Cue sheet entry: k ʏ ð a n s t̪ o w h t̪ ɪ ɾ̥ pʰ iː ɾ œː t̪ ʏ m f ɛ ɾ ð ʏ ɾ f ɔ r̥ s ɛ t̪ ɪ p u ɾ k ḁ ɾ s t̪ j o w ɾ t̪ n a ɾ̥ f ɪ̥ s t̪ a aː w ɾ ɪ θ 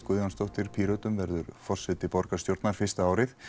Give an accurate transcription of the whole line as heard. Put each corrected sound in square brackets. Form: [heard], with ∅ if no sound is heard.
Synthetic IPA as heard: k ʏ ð a n s t̪ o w h t̪ ɪ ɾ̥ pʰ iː ɾ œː t̪ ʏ m [v] ɛ ɾ ð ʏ ɾ f ɔ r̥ s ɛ t̪ ɪ p [ɔ] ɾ k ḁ [∅] s t̪ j o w ɾ t̪ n a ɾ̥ f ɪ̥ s t̪ a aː w ɾ ɪ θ

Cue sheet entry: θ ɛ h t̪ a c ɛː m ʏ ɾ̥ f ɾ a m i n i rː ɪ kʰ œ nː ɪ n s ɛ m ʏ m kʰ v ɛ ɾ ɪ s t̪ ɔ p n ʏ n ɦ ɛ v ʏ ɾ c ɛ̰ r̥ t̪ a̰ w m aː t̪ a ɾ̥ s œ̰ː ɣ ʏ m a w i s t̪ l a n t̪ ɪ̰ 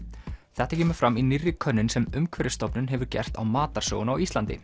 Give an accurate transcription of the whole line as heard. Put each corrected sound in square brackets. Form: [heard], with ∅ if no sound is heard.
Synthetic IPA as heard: θ ɛ h t̪ a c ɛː m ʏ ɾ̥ f ɾ a m i n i rː ɪ kʰ œ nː ɪ n s ɛ m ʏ m kʰ v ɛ ɾ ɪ s t̪ ɔ p n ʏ n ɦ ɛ v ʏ ɾ c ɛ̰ r̥ t̪ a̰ w m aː t̪ a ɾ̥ s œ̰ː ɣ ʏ [n] a w i s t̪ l a n t̪ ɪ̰

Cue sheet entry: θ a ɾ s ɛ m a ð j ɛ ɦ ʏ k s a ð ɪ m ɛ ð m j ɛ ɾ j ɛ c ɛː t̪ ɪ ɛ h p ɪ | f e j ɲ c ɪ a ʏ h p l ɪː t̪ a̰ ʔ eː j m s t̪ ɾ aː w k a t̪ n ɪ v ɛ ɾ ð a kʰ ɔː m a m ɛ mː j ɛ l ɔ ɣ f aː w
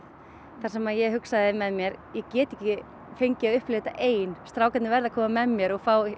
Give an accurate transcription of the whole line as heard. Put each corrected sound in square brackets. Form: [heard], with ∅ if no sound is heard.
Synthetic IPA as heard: θ a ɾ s ɛ m a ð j ɛ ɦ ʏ k s a ð ɪ m ɛ ð m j ɛ ɾ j ɛ c ɛː t̪ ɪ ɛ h [c] ɪ | f e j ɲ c ɪ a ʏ h p l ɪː t̪ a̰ ʔ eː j [n] s t̪ ɾ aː w k a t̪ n ɪ v ɛ ɾ ð a kʰ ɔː m a m ɛ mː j ɛ [ɾ] ɔ ɣ f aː w

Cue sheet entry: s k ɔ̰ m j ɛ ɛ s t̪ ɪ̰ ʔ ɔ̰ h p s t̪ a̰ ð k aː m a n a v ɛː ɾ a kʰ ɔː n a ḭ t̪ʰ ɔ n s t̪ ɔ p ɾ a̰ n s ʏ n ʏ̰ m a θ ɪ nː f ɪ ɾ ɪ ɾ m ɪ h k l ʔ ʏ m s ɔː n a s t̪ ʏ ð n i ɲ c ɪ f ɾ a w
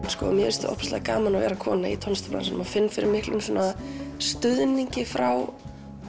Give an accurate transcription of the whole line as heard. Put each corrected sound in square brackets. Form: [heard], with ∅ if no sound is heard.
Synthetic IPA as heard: s k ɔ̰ m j ɛ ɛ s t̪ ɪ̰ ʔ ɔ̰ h p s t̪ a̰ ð k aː m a n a v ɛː ɾ a kʰ ɔː n a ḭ t̪ʰ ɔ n s t̪ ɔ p ɾ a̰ n s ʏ n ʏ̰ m a [f] ɪ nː f ɪ ɾ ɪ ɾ m ɪ h k l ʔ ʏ m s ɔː n a s t̪ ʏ ð n i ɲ c ɪ f ɾ a w

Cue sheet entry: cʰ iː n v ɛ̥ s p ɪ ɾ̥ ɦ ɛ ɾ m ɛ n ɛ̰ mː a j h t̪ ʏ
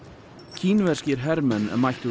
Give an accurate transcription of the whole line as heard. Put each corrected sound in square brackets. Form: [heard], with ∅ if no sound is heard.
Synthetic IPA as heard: cʰ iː n v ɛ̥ s [c] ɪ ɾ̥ ɦ ɛ ɾ m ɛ n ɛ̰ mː a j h t̪ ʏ

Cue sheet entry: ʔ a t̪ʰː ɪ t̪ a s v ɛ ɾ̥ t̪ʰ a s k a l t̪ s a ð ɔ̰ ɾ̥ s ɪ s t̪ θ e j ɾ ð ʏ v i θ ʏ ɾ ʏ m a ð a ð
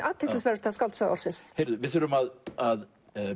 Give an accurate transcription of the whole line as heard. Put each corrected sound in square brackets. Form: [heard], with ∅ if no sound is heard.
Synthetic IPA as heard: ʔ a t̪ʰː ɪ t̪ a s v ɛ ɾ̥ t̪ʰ a s k a l t̪ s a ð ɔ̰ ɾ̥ s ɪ s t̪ [h] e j ɾ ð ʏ v [ɪ] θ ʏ ɾ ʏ m a ð a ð

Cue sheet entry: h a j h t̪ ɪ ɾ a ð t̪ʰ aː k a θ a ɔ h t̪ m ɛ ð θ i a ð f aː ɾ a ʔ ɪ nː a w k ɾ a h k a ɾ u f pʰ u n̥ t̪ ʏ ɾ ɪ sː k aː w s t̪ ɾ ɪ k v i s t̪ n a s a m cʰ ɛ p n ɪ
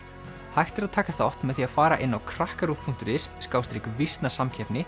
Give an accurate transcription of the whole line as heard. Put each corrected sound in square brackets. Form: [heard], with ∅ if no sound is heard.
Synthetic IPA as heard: h a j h t̪ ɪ ɾ a ð t̪ʰ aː k a θ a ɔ h t̪ m ɛ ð θ i a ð f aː ɾ a ʔ ɪ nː a w [kʰ] ɾ a h k a ɾ u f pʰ u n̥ t̪ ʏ ɾ ɪ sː k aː w s t̪ ɾ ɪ k v i s t̪ n a s a m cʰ ɛ p n ɪ

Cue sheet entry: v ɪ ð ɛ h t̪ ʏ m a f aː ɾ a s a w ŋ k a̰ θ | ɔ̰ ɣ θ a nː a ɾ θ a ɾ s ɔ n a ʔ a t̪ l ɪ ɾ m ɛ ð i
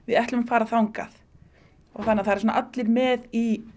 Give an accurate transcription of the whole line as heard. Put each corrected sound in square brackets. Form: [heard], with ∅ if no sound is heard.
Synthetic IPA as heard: v ɪ ð ɛ h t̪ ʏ m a f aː ɾ a [θ] a w ŋ k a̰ θ | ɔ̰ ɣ θ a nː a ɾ θ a ɾ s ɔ n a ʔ a t̪ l ɪ ɾ m ɛ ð i

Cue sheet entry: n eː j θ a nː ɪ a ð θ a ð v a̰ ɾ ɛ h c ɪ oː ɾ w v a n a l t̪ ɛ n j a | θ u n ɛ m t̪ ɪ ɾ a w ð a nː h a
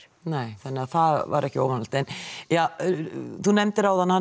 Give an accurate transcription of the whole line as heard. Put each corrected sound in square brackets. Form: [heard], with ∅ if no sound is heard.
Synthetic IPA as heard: n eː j θ a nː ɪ a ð θ a ð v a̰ ɾ ɛ h c ɪ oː [∅] w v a n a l t̪ ɛ n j a | θ u n ɛ m t̪ ɪ ɾ a w ð a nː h a

